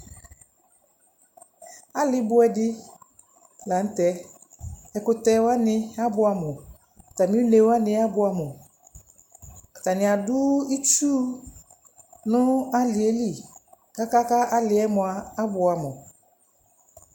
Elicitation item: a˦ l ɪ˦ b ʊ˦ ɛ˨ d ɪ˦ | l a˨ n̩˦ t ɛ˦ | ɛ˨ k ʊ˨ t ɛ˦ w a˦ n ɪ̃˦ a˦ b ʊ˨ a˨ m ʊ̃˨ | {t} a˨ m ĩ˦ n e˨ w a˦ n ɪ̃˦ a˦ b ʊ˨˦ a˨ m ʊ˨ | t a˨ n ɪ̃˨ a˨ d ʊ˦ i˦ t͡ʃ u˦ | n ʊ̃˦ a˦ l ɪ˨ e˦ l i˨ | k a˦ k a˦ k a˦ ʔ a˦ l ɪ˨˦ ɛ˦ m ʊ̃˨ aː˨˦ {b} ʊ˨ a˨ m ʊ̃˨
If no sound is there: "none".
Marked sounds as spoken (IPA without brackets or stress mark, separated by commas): t, b